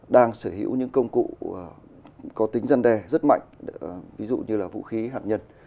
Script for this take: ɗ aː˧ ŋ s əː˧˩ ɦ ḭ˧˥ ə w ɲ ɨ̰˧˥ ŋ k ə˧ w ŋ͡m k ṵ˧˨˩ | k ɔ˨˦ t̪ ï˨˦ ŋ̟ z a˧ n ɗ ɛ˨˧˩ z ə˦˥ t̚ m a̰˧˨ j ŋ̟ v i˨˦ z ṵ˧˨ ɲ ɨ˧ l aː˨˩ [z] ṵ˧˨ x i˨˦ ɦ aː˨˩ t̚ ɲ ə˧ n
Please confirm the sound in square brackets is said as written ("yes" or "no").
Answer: no